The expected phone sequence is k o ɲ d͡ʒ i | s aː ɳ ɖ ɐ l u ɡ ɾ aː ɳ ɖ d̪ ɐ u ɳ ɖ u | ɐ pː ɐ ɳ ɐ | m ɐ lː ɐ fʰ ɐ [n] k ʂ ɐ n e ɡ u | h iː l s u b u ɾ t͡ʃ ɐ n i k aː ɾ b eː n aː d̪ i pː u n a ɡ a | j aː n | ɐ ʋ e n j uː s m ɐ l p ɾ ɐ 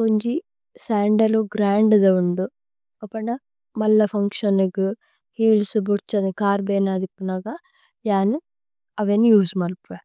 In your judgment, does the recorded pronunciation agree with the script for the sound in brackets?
no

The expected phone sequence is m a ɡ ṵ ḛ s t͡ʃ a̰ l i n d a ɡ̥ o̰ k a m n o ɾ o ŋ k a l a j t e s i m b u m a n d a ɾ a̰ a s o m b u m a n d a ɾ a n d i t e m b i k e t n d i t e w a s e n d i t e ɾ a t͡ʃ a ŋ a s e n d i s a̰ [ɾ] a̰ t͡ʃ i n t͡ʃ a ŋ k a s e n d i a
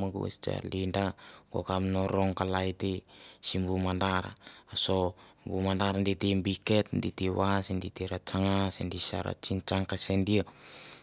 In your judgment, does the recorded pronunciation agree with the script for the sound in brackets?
yes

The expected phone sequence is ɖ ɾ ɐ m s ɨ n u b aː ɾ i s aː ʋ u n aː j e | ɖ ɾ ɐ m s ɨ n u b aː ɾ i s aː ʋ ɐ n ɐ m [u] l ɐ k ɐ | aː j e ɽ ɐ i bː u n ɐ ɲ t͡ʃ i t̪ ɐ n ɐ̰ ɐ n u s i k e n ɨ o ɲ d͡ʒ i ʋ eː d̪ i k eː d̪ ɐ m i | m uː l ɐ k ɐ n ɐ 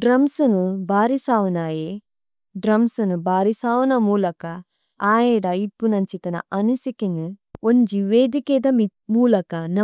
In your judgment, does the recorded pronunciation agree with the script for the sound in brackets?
no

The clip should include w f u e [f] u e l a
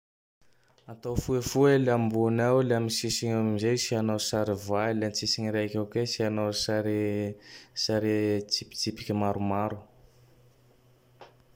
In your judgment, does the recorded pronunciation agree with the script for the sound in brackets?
yes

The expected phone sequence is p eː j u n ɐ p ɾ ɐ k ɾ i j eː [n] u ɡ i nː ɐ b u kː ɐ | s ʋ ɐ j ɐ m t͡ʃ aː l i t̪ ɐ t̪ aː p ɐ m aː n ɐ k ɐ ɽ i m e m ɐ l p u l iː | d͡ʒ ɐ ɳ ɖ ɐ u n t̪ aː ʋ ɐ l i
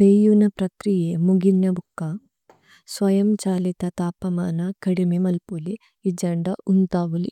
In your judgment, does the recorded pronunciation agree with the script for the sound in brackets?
no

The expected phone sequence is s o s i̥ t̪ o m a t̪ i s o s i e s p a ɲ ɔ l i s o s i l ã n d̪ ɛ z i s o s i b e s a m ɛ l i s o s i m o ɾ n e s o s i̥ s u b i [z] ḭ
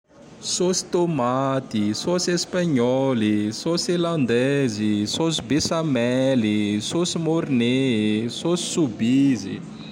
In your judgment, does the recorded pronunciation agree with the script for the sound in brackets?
yes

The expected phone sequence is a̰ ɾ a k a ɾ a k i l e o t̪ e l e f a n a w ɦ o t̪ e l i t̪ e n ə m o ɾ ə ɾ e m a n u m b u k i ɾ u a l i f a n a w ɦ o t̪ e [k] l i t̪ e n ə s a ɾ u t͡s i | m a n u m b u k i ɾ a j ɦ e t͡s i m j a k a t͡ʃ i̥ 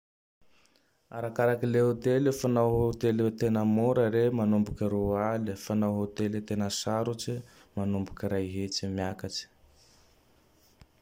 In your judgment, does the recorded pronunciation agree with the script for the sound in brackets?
no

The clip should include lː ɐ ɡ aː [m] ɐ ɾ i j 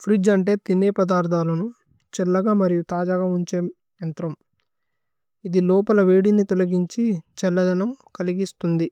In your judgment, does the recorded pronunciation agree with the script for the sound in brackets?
yes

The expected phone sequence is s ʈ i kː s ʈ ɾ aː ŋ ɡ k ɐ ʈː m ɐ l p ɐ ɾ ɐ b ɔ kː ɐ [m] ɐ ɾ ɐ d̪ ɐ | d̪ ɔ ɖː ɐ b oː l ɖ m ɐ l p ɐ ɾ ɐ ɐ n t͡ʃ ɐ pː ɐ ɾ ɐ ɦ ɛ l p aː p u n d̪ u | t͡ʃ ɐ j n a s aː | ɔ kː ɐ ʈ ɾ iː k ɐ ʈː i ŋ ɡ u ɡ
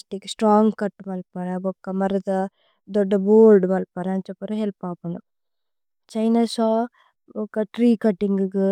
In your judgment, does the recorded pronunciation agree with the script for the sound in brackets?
yes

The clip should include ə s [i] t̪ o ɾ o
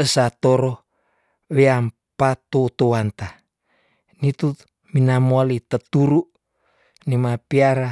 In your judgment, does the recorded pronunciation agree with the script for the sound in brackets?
no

